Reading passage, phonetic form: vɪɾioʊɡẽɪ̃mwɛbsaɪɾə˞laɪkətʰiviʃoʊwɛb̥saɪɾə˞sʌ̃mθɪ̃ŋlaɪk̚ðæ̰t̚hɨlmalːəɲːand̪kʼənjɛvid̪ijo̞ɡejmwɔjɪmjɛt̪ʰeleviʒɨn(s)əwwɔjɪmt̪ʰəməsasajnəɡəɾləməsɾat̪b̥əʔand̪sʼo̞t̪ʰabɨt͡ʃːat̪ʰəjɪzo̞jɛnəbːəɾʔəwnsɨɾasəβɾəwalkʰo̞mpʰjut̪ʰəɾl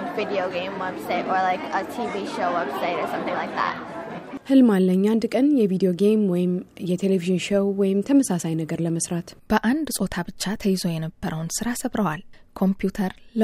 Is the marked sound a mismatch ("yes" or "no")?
yes